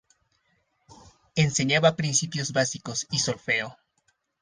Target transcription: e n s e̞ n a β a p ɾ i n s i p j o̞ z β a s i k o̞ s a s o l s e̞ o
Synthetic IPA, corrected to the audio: e n s e̞ ɲ a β a p ɾ i n s i p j o̞ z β a s i k o̞ s i s o l f e̞ o